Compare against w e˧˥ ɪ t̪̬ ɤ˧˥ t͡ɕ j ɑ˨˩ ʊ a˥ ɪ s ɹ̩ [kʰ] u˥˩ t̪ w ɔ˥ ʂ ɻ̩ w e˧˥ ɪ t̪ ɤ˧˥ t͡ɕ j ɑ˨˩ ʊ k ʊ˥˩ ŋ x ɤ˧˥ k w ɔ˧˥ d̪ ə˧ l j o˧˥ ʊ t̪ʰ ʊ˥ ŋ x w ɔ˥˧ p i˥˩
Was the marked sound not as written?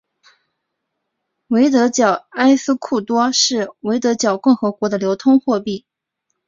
no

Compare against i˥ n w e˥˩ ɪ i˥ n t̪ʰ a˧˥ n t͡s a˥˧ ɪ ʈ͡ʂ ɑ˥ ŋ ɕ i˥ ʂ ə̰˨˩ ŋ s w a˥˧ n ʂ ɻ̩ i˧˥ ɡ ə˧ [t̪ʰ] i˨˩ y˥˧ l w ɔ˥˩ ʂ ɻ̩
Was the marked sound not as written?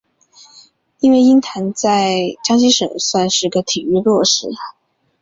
no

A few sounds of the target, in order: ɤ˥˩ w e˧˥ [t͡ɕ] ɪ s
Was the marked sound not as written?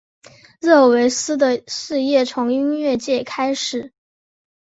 yes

